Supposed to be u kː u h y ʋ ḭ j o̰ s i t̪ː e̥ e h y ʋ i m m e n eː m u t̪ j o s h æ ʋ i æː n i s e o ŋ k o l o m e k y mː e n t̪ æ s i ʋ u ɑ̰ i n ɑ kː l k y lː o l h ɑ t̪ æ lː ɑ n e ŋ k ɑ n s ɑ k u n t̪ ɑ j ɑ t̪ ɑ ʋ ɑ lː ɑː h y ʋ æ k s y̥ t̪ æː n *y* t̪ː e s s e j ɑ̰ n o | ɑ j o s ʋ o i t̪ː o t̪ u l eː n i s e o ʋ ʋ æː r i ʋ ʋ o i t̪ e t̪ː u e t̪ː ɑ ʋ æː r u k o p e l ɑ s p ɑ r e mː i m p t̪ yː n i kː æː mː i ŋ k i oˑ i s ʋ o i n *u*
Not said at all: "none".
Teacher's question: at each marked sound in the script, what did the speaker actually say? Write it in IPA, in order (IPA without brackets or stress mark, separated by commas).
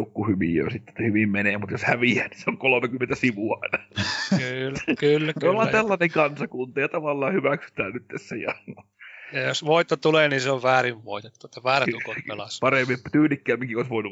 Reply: y, u